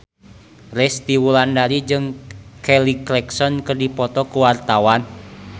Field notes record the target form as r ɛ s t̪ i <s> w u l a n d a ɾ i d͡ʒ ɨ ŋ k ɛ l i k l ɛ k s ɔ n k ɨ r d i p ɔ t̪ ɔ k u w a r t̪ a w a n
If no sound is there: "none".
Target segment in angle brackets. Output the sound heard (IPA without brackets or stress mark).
none